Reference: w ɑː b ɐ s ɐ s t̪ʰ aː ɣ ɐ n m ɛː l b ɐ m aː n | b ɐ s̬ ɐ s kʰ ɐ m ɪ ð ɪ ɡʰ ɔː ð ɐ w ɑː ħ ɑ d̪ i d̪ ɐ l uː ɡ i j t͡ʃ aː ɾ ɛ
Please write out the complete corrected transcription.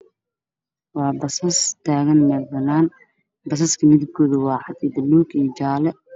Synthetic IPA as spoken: w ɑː b ɐ s ɐ s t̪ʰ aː ɣ ɐ n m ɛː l b ɐ n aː n | b ɐ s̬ ɐ s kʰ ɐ m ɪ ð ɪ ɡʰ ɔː ð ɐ w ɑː ħ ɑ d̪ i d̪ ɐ l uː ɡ i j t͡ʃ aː l ɛ